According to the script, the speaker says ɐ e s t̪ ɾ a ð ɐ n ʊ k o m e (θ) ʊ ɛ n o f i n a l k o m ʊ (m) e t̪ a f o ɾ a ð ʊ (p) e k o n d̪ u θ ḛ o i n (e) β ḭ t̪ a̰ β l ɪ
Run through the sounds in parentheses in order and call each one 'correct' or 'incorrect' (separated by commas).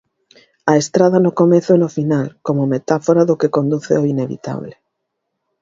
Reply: correct, correct, incorrect, correct